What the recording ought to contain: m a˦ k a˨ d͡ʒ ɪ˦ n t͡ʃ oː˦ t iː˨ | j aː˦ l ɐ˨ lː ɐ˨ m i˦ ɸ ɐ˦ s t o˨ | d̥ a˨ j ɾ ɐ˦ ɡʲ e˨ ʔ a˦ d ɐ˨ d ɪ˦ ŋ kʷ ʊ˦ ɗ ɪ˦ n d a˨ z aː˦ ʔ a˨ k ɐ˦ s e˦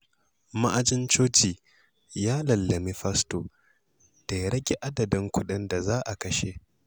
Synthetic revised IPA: m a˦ ʔ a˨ d͡ʒ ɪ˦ n t͡ʃ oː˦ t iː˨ | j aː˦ l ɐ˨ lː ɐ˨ m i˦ ɸ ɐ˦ s t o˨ | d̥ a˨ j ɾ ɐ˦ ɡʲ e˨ ʔ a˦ d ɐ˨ d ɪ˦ ŋ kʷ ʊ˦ ɗ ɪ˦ n d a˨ z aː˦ ʔ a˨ k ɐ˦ ʃ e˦